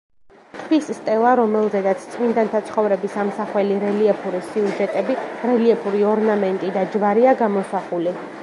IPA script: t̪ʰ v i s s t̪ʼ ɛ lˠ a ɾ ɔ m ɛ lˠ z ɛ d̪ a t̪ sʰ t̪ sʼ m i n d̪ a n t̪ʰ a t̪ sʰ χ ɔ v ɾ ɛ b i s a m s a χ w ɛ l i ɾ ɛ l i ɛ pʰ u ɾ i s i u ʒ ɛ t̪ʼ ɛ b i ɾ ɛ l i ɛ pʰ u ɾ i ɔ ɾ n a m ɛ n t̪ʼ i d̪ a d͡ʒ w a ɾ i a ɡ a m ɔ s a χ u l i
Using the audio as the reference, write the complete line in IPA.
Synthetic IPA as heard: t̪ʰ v i s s t̪ʼ ɛ lˠ a ɾ ɔ m ɛ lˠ z ɛ d̪ a t̪ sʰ t̪ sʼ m i n d̪ a n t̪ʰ a t̪ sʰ χ ɔ v ɾ ɛ b i s a m s a χ w ɛ l i ɾ ɛ l i ɛ pʰ u ɾ i s i u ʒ ɛ t̪ʼ ɛ b i ɾ ɛ l i ɛ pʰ u ɾ i ɔ ɾ n a m ɛ n t̪ʼ i d̪ a d͡ʒ v a ɾ i a ɡ a m ɔ s a χ u l i

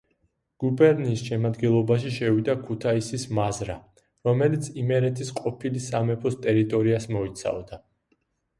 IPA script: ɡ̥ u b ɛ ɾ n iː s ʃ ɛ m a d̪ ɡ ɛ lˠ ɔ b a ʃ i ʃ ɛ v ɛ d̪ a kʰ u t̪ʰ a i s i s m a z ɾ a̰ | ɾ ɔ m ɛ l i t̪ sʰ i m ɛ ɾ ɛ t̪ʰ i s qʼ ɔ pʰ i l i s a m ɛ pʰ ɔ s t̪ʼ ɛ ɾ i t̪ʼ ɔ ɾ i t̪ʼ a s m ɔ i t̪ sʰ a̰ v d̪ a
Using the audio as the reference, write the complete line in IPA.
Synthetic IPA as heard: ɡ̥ u b ɛ ɾ n iː s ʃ ɛ m a d̪ ɡ ɛ lˠ ɔ b a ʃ i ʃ ɛ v i d̪ a kʰ u t̪ʰ a i s i s m a z ɾ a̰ | ɾ ɔ m ɛ l i t̪ sʰ i m ɛ ɾ ɛ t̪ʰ i s qʼ ɔ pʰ i l i s a m ɛ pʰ ɔ s t̪ʼ ɛ ɾ i t̪ʼ ɔ ɾ i a s m ɔ i t̪ sʰ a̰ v d̪ a

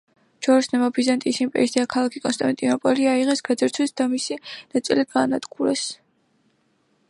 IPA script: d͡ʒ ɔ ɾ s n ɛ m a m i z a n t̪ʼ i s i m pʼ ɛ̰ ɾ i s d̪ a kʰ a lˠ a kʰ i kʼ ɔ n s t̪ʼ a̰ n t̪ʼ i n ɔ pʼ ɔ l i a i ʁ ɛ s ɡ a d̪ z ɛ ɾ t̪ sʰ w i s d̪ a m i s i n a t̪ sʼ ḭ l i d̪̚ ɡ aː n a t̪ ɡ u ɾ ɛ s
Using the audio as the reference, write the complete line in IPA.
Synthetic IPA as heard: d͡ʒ ɔ ɾ s n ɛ m a b i z a n t̪ʼ i s i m pʼ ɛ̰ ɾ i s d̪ a kʰ a lˠ a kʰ i kʼ ɔ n s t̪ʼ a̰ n t̪ʼ i n ɔ pʼ ɔ l i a i ʁ ɛ s ɡ a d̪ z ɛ ɾ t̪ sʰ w i s d̪ a m i s i n a t̪ sʼ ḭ l i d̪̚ ɡ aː n a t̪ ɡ u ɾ ɛ s

